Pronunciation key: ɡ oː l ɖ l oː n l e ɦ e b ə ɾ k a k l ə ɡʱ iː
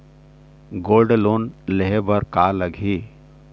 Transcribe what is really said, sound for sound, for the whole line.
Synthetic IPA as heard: ɡ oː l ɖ l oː n l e ɦ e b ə ɾ k a l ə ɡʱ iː